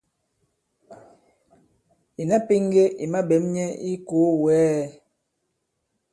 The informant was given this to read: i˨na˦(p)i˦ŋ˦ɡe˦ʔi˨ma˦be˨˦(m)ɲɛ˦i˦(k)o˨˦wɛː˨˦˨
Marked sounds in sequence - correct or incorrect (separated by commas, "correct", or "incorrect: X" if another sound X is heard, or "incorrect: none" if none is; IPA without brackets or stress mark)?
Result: correct, correct, correct